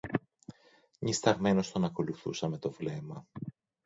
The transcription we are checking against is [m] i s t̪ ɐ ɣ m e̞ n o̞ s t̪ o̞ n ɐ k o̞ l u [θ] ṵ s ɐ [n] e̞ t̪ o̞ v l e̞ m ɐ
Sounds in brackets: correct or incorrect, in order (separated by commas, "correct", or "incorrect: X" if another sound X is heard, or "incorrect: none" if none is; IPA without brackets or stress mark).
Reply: incorrect: ɲ, correct, incorrect: m